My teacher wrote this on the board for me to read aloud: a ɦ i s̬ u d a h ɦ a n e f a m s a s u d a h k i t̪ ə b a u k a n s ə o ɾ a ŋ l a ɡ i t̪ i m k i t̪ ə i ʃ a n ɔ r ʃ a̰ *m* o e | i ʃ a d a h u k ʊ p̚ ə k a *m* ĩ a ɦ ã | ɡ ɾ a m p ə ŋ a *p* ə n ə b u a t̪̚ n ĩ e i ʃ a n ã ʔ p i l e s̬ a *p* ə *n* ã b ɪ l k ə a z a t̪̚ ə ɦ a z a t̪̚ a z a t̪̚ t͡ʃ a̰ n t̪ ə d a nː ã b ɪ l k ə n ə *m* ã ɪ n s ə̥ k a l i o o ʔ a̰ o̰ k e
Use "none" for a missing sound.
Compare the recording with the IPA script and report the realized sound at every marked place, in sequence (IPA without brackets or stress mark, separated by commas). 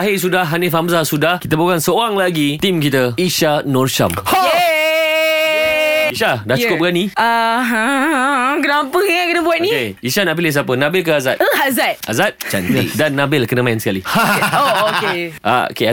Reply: m, n, k, p, n, m